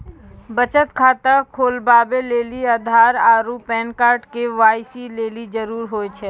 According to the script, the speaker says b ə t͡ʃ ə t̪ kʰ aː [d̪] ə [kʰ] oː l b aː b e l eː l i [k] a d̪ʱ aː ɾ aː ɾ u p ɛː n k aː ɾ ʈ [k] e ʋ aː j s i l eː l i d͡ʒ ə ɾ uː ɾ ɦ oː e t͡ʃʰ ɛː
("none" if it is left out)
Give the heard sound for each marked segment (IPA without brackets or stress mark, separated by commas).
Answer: t̪, kʰ, none, k